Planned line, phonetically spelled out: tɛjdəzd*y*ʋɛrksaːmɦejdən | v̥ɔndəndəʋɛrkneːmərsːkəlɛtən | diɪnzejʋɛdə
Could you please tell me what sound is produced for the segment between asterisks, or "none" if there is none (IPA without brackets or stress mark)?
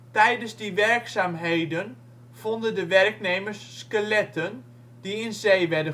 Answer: i